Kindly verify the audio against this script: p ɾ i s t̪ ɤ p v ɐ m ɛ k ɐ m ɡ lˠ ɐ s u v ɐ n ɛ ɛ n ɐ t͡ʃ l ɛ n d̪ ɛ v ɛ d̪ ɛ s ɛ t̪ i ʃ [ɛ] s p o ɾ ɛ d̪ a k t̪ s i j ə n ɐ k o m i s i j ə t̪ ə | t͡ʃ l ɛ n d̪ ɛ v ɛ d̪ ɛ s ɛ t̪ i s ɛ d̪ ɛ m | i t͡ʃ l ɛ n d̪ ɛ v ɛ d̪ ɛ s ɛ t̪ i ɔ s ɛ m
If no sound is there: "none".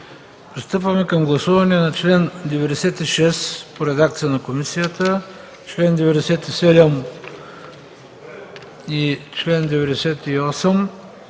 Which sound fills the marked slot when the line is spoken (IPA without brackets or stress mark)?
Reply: ɛ